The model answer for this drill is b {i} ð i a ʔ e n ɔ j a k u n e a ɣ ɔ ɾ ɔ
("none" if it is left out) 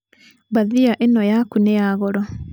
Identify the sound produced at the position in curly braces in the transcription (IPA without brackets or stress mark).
a